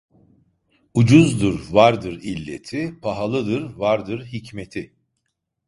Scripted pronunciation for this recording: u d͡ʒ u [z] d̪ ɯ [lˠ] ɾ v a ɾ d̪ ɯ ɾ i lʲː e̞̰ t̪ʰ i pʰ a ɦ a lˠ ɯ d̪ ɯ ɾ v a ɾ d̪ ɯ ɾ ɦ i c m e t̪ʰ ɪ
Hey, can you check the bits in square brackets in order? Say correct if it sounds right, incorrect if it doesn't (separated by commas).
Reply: correct, incorrect